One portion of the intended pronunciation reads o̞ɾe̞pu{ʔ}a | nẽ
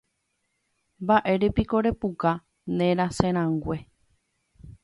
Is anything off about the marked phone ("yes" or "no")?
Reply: yes